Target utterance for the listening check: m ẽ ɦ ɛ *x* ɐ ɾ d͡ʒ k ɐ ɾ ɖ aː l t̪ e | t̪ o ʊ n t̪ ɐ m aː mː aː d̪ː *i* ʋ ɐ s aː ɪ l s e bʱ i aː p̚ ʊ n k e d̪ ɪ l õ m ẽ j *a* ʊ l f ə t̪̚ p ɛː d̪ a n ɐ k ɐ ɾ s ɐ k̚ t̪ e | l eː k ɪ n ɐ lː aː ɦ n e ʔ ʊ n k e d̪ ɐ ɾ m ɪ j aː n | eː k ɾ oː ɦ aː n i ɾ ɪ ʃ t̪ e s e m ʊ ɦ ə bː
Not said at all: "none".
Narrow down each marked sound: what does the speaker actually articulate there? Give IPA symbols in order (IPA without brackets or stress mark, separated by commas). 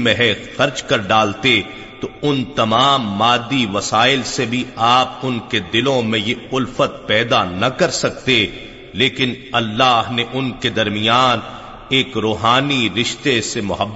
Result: x, i, e